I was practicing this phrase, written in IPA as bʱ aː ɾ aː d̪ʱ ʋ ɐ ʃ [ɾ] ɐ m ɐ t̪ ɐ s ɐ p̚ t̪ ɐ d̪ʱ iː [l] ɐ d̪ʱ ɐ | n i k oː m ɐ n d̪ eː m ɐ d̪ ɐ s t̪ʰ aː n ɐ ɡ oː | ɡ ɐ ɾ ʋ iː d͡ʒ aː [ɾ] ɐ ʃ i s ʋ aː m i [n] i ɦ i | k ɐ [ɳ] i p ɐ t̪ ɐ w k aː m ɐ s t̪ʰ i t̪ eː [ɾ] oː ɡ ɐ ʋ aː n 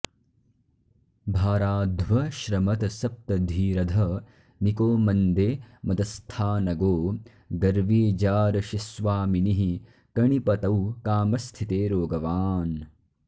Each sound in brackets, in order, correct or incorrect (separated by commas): correct, incorrect, correct, correct, correct, correct